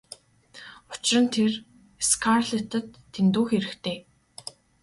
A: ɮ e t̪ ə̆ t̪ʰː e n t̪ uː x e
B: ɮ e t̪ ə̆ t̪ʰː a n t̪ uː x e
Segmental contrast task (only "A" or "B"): A